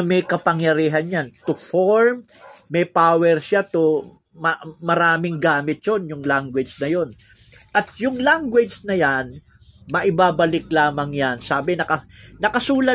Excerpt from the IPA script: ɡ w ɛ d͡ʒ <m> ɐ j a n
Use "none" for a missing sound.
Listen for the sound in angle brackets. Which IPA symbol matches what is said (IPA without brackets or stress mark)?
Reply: n